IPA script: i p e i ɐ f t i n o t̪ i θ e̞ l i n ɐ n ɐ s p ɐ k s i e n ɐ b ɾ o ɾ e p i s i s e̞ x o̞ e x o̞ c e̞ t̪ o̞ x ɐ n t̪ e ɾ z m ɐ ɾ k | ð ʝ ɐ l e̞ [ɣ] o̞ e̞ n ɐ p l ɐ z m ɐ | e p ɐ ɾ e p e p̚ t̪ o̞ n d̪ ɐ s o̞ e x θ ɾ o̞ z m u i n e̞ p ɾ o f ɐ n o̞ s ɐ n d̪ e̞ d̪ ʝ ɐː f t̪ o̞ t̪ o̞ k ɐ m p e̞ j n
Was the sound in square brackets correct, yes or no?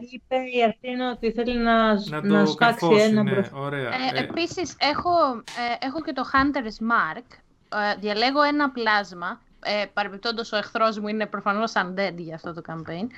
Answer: yes